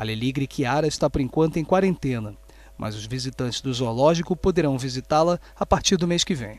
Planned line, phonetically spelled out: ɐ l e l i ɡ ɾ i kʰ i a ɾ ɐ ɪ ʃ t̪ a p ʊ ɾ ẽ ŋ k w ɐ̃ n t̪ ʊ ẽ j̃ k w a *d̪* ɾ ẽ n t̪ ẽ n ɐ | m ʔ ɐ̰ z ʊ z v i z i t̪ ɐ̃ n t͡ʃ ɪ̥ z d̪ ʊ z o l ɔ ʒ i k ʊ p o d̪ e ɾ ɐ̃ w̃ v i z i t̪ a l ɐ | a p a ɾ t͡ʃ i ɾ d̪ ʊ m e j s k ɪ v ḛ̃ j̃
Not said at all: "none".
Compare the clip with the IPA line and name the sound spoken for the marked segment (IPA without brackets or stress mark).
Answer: none